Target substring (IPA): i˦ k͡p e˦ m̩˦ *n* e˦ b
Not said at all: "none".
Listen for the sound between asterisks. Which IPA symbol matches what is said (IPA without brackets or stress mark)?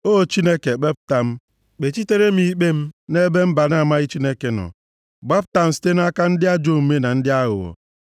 n